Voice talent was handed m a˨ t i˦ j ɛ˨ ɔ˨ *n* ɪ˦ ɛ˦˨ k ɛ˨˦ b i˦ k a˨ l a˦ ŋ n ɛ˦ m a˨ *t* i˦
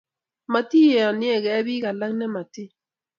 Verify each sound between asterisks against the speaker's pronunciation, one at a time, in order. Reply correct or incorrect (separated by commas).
correct, correct